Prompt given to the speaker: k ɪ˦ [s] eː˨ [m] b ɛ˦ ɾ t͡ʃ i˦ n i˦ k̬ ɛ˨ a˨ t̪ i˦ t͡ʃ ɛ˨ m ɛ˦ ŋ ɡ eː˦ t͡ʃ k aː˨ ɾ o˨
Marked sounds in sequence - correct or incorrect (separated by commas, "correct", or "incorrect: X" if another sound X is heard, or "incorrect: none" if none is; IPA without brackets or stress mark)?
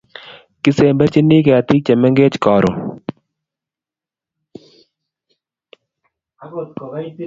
correct, correct